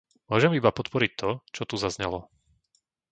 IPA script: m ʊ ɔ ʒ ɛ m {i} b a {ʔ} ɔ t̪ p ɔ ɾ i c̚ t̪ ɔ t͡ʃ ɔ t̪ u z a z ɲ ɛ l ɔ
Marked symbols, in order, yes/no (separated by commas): yes, no